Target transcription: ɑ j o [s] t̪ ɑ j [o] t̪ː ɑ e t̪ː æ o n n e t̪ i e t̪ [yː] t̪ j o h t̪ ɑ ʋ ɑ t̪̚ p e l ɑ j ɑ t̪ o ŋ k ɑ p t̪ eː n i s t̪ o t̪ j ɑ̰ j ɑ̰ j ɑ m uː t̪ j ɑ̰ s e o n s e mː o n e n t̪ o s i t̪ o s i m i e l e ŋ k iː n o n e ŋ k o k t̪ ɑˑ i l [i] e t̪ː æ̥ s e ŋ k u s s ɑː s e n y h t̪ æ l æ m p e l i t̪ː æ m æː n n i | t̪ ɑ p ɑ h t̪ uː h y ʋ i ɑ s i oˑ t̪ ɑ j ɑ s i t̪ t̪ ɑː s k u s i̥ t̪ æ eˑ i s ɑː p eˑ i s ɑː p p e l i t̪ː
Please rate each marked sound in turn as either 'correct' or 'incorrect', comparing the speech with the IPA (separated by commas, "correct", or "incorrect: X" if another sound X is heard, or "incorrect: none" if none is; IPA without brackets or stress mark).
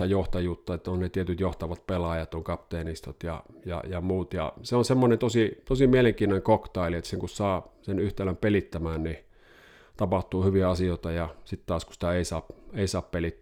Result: incorrect: h, incorrect: u, incorrect: y, correct